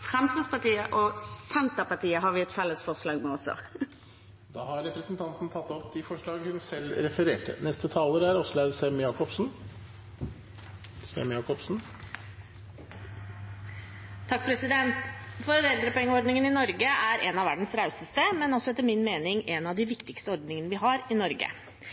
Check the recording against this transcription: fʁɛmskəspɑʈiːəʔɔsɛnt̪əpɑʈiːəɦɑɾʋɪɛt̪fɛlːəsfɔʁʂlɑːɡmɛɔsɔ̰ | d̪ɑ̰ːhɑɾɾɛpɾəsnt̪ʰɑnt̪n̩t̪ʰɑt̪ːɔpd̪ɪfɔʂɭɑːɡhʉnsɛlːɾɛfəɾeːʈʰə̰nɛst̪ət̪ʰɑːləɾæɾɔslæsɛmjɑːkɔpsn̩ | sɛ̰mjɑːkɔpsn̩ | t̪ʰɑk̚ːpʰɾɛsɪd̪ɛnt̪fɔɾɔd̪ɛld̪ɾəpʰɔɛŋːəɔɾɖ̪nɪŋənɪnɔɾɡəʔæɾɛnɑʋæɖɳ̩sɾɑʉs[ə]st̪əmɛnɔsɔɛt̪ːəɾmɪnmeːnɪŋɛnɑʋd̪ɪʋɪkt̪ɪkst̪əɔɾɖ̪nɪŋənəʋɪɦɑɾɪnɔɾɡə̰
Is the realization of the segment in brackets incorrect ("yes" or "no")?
no